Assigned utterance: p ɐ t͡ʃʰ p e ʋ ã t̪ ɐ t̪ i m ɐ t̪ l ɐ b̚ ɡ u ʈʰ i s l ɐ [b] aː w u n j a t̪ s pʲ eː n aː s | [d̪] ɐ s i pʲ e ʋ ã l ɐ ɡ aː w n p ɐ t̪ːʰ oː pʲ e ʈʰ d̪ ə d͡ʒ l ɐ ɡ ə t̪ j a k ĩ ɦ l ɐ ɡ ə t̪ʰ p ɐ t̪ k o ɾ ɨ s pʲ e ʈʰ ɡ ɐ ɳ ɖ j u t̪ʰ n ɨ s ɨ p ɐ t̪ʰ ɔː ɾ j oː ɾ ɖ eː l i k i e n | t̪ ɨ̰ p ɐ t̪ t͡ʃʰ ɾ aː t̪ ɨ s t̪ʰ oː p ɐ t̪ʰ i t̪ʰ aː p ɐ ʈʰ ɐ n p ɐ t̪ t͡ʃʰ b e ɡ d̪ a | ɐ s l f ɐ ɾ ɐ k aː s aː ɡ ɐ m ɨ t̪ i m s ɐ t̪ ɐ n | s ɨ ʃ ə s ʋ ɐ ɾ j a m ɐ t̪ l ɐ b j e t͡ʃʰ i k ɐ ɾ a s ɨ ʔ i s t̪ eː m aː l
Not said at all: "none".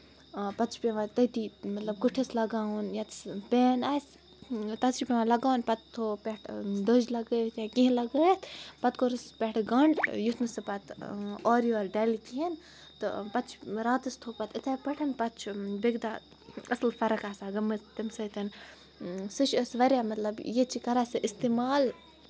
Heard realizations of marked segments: ɡ, t̪

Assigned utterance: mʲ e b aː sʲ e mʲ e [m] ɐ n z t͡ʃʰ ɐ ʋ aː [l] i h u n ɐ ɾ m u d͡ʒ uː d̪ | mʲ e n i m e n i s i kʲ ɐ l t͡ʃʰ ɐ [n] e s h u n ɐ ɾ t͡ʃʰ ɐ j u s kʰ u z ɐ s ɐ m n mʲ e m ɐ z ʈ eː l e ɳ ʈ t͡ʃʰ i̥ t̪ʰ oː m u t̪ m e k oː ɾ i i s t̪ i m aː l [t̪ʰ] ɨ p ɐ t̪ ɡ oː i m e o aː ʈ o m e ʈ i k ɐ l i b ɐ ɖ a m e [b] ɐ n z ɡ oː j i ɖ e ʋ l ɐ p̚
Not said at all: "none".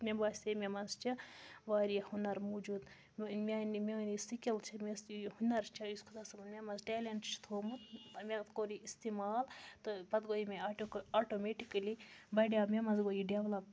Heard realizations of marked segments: m, ɾ, m, t̪, m

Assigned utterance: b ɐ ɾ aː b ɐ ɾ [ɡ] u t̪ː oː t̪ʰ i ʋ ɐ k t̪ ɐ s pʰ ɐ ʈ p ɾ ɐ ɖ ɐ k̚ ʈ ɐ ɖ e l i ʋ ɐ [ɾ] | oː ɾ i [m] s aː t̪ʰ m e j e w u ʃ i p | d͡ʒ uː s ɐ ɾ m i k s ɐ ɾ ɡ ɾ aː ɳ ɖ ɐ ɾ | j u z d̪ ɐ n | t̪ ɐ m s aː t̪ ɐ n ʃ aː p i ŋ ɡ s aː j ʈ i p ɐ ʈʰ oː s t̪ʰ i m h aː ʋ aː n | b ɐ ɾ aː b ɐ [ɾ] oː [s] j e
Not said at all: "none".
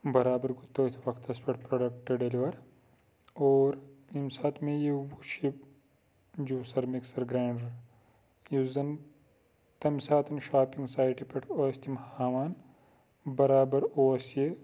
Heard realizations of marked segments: ɡ, ɾ, m, ɾ, s

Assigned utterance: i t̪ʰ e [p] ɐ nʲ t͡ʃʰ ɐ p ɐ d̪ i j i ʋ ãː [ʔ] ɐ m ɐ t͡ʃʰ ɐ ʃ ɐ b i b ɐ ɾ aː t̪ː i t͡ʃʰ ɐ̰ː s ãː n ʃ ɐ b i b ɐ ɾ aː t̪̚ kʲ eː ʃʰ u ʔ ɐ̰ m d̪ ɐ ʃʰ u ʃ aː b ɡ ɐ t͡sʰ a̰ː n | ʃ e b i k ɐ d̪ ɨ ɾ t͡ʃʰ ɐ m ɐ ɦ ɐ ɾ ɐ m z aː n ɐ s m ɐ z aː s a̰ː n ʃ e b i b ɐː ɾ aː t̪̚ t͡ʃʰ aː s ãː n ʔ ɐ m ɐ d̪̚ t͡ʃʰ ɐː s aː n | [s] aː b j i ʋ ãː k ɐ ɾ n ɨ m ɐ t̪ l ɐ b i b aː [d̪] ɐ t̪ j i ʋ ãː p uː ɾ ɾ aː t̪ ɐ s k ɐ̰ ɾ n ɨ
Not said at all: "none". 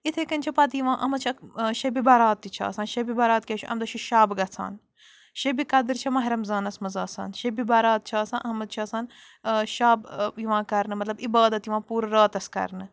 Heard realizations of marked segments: k, ʔ, ʃ, d̪

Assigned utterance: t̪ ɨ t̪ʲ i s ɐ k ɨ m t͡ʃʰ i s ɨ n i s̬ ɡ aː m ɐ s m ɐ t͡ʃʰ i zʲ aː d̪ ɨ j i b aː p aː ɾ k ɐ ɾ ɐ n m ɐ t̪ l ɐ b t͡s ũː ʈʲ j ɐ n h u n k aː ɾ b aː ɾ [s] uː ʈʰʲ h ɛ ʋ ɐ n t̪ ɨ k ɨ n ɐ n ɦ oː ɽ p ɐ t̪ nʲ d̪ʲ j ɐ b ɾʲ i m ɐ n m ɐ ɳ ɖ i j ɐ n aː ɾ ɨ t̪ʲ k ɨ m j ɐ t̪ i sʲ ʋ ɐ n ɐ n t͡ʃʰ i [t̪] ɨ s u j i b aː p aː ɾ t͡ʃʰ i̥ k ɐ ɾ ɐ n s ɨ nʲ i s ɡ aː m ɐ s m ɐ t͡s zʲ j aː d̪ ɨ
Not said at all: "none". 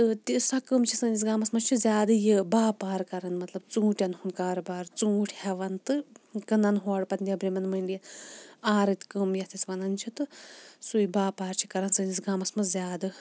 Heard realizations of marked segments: t͡s, t̪

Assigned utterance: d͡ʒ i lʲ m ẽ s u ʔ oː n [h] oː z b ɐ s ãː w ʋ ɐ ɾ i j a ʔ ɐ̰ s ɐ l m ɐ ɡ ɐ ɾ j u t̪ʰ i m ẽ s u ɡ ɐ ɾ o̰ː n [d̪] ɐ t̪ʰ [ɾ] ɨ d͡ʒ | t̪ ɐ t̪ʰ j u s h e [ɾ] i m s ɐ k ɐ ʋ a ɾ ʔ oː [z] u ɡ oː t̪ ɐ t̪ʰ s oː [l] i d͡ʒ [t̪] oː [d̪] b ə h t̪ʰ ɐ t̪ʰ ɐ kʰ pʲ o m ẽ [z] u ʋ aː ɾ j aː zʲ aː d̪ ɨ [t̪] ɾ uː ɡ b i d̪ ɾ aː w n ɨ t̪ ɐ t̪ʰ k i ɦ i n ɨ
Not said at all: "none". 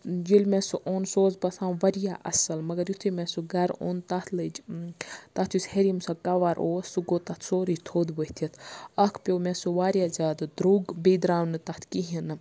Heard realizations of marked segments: s, t̪, l, ɾ, s, ɾ, t̪ʰ, d̪, s, d̪

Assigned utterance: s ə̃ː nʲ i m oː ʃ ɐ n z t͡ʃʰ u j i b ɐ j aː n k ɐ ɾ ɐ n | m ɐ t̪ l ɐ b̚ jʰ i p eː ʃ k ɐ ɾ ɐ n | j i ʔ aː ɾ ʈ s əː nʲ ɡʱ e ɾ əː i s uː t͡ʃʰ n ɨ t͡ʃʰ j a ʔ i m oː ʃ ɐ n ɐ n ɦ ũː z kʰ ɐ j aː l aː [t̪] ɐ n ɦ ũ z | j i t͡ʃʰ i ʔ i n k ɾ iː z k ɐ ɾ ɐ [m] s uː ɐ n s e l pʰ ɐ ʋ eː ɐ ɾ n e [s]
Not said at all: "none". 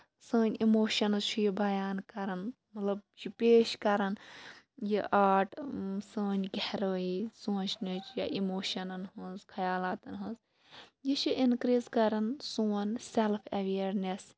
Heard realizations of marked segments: t̪, n, s

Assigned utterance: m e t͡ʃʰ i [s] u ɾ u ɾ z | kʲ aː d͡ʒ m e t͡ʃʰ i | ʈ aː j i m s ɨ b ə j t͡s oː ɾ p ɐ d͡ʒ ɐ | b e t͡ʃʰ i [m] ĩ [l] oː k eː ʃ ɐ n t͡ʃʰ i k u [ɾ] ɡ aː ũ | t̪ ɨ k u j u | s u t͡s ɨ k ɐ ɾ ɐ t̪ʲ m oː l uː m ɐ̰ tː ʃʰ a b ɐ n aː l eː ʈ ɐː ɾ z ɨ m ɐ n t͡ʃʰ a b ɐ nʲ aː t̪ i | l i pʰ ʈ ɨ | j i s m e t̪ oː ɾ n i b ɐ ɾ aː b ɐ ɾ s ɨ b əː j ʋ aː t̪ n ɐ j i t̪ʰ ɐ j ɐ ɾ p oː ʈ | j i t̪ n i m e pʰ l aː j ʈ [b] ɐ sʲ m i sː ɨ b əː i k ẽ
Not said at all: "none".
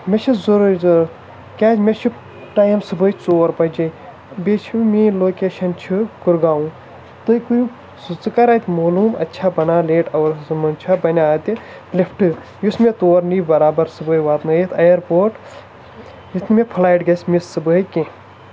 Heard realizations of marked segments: z, m, l, ɾ, ɡ

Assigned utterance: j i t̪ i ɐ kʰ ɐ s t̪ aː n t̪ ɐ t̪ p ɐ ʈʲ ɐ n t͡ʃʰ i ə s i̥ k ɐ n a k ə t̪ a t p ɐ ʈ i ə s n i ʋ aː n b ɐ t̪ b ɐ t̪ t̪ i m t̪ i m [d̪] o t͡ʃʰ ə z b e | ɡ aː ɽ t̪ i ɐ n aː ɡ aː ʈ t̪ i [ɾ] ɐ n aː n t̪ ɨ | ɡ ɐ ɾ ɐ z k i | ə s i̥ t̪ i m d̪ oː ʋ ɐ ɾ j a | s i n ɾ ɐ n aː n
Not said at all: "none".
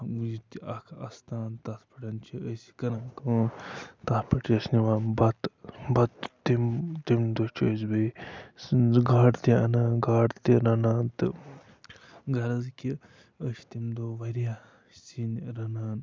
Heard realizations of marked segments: d̪, ɾ

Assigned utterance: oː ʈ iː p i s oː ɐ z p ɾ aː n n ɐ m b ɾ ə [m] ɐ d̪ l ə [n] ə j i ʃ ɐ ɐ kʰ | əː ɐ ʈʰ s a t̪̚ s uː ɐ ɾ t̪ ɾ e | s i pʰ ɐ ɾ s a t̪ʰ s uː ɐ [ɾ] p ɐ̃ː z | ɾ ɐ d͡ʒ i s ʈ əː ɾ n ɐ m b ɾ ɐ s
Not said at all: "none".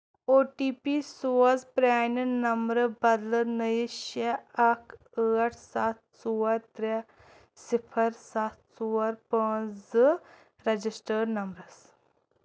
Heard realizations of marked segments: b, n, ɾ

